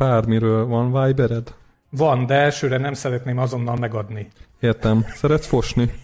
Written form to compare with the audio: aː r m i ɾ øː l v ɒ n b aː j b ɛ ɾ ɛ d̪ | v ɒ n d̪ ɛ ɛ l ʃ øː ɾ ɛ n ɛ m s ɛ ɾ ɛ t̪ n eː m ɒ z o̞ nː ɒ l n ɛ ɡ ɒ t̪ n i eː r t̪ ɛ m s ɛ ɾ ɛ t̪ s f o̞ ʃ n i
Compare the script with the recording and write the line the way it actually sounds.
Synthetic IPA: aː r m i ɾ øː l v ɒ n v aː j b ɛ ɾ ɛ d̪ | v ɒ n d̪ ɛ ɛ l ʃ øː ɾ ɛ n ɛ m s ɛ ɾ ɛ t̪ n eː m ɒ z o̞ nː ɒ l m ɛ ɡ ɒ d̪ n i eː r t̪ ɛ m s ɛ ɾ ɛ t̪ s f o̞ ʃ n i